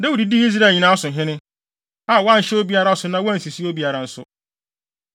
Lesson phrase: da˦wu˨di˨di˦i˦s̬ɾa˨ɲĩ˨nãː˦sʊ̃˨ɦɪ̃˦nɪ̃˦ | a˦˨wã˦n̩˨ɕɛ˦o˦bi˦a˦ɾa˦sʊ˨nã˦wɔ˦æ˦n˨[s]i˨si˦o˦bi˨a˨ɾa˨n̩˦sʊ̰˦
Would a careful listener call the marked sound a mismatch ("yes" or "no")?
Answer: no